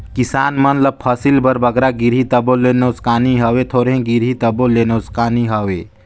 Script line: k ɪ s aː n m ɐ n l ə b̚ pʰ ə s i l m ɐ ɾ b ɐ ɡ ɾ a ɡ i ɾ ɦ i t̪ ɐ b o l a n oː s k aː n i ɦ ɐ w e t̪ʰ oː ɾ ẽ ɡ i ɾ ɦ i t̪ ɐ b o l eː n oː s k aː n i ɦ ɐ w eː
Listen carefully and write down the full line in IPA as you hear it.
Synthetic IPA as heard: k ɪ s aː n m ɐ n l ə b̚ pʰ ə s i l b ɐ ɾ b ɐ ɡ ɾ a ɡ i ɾ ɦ i t̪ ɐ b o l e n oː s k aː n i ɦ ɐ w e t̪ʰ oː ɾ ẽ ɡ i ɾ ɦ i t̪ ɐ b o l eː n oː s k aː n i ɦ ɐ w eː